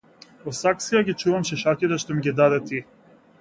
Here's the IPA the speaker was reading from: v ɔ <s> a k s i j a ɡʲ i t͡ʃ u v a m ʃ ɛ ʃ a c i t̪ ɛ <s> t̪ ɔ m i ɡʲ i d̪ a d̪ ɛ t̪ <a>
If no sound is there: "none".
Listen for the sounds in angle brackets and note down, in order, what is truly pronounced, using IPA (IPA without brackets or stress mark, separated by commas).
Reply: s, ʃ, i